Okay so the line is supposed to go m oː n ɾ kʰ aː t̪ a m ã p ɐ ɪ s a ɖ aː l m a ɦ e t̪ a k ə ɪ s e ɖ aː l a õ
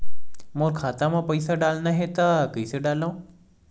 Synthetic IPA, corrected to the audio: m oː ɾ kʰ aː t̪ a m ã p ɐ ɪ s a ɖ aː l n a ɦ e t̪ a k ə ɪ s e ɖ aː l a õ